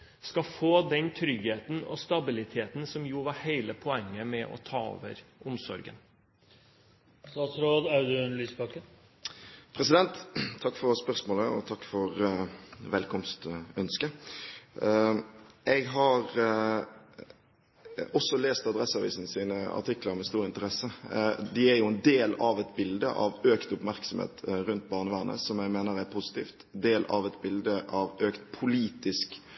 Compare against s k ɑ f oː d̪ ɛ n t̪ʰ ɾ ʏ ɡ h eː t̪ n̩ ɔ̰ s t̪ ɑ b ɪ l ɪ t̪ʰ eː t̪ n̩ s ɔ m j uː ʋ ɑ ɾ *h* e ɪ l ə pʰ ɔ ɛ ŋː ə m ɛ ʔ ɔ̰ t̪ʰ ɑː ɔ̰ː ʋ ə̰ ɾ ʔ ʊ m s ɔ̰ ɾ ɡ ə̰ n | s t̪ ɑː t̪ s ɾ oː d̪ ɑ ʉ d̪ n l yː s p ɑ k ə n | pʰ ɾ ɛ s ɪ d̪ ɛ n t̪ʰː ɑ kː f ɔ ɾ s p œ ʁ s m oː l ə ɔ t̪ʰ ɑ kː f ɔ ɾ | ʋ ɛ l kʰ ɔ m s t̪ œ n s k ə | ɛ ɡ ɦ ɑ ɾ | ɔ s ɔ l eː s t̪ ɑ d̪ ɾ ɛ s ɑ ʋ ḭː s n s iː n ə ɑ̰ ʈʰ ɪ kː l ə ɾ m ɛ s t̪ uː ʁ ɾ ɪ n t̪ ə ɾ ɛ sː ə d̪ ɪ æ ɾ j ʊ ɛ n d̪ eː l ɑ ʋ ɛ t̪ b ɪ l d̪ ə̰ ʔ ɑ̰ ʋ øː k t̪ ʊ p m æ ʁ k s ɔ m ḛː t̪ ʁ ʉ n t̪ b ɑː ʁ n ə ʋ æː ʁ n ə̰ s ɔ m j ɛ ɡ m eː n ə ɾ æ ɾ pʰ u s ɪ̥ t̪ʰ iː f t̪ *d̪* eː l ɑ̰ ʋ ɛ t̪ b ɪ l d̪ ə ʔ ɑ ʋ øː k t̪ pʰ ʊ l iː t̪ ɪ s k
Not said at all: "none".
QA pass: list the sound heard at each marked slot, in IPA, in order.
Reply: h, d̪

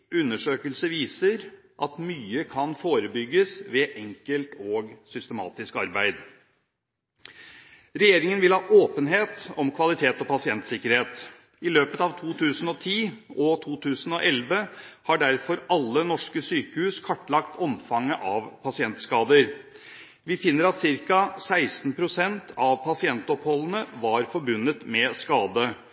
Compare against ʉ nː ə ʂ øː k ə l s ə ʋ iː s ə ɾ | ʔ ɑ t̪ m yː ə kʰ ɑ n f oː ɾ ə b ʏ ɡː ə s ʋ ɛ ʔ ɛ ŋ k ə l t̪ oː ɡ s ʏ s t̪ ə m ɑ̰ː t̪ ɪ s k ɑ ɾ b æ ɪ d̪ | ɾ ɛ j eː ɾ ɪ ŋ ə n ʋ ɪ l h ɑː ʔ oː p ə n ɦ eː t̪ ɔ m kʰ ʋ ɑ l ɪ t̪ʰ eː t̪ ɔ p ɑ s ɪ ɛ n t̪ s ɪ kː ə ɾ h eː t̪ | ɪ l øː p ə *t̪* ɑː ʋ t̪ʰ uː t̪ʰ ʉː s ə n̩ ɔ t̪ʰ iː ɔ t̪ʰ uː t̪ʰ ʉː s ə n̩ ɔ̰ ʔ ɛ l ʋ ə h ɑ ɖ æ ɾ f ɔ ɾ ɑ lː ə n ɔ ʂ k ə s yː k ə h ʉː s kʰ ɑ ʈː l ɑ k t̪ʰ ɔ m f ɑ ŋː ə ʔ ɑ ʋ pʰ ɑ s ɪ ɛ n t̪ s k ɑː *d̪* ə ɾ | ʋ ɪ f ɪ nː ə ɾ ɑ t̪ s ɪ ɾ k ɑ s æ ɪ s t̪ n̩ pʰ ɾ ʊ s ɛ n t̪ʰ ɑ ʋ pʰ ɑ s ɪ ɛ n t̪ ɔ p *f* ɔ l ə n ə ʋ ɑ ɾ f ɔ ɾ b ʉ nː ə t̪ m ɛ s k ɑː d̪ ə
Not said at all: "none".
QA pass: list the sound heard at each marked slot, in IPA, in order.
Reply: t̪, d̪, h

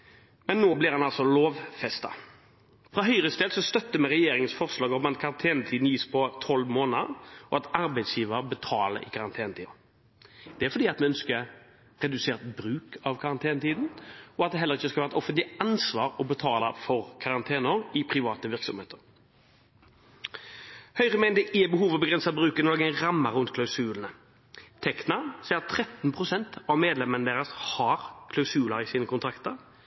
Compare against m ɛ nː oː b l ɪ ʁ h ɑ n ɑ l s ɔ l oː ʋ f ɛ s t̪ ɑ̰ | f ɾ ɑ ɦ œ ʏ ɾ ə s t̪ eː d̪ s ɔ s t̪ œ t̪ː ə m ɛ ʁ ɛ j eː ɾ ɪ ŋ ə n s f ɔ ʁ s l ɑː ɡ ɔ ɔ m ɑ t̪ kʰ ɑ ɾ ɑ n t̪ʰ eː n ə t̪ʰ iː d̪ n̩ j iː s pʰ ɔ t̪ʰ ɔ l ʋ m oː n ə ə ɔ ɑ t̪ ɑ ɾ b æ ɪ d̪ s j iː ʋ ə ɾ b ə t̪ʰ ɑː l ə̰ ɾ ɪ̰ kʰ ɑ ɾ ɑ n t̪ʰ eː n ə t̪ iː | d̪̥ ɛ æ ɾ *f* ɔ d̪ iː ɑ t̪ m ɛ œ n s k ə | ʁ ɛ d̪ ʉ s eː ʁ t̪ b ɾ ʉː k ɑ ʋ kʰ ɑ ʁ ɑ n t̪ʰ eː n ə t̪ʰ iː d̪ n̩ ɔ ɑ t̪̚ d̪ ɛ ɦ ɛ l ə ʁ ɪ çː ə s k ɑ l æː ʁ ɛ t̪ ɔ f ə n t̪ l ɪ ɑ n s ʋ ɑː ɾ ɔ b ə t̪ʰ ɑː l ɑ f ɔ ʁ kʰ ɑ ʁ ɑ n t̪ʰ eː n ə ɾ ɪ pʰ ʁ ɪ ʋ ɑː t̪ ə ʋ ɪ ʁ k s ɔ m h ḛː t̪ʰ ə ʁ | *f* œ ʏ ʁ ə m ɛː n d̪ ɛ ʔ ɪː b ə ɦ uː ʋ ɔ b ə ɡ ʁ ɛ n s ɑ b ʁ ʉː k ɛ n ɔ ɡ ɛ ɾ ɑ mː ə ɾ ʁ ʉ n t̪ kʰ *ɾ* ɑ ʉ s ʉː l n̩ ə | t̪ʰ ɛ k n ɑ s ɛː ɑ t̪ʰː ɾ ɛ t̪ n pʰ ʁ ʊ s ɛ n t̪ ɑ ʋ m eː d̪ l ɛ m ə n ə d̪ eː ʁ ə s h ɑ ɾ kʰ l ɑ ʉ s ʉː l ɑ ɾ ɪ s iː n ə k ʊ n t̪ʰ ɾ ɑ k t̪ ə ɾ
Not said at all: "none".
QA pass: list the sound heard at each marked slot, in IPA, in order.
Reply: f, h, l

